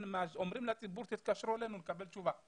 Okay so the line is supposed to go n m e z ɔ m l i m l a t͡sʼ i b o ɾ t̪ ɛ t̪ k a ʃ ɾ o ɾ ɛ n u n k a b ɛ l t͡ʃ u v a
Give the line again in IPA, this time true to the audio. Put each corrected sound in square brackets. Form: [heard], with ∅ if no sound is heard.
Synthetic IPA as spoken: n m [a] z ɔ m [ɾ] i m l a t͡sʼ i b [u] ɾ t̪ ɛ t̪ k a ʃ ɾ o [l] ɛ n u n k a b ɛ l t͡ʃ u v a

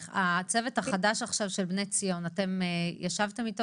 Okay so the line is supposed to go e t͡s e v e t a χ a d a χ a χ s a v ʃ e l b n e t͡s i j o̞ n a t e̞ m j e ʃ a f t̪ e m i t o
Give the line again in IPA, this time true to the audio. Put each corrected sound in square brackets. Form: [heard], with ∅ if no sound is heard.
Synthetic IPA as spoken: [a] t͡s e v e t a χ a d a [ʃ] a χ [ʃ] a v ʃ e l b n e t͡s i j o̞ n a t e̞ m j [a] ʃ a [v] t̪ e m i t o

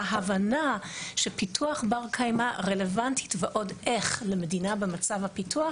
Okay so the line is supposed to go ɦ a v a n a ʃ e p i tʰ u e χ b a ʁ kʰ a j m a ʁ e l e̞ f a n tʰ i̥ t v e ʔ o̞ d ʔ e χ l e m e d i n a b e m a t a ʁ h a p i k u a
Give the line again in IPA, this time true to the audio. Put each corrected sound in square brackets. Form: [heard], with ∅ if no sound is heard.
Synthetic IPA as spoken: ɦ a v a n a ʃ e p i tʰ u [a] χ b a ʁ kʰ a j m a ʁ e l e̞ [v] a n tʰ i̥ t v e ʔ o̞ d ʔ e χ l e m e d i n a b e m a [t͡s] a [v] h a p i [t] u a

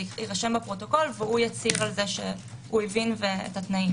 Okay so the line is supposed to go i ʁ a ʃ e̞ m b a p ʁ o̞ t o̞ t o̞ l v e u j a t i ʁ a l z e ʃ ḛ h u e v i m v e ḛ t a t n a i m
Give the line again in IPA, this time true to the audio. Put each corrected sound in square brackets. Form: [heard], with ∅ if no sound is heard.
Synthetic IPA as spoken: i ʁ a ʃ e̞ m b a p ʁ o̞ t o̞ [k] o̞ l v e u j a [t͡s] i ʁ a l z e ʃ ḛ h u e v i [n] v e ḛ t a t n a i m

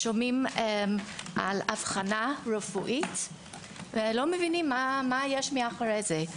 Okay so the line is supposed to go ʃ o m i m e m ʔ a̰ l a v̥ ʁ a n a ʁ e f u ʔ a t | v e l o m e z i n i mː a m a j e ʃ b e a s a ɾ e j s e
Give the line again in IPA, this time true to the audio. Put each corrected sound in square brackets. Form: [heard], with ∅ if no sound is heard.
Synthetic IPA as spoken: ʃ o m i m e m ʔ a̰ l a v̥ [χ] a n a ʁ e f u ʔ [i] t | v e l o m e [v] i n i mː a m a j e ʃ [m] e a [χ] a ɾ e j [z] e

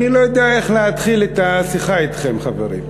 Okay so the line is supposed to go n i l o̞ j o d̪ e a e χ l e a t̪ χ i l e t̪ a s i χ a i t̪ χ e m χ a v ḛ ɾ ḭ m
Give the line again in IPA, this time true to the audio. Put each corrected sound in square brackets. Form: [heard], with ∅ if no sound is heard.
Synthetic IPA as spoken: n i l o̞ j o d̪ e a e χ l e a t̪ χ i l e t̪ a s i χ a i t̪ χ e m χ a v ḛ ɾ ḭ m

